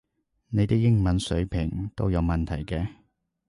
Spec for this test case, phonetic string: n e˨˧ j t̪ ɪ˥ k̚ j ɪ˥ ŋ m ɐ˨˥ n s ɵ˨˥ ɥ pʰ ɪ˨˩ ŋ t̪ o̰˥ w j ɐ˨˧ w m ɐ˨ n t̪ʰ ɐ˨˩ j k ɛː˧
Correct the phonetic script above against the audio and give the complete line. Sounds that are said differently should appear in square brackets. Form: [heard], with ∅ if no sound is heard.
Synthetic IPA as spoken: n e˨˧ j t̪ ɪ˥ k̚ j ɪ˥ ŋ m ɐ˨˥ n s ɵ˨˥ ɥ pʰ ɪ˨˩ ŋ t̪ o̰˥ w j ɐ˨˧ w m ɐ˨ n t̪ʰ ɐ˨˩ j k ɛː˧